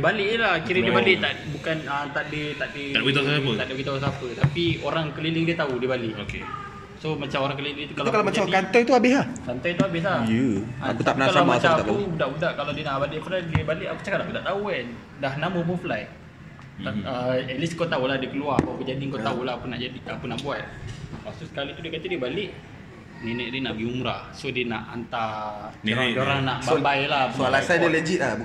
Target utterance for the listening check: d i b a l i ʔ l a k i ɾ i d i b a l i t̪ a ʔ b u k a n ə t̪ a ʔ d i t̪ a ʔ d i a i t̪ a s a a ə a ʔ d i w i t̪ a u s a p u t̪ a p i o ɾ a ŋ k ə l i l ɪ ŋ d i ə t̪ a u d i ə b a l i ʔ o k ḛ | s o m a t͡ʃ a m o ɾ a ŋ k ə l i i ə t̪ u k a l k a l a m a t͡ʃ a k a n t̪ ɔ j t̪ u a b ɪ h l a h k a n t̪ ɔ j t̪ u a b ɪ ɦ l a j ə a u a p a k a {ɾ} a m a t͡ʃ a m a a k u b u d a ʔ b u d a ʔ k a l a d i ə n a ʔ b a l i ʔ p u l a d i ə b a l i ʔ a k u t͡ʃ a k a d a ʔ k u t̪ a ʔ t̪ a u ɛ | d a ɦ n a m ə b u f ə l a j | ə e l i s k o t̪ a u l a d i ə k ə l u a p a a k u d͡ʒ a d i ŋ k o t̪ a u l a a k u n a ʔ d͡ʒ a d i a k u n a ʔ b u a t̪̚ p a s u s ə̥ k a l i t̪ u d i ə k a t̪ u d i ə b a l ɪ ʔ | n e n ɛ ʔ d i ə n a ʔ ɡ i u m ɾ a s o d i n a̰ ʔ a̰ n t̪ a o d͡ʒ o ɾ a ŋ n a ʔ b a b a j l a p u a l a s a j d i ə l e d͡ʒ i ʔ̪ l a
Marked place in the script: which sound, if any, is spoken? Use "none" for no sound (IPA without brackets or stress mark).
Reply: l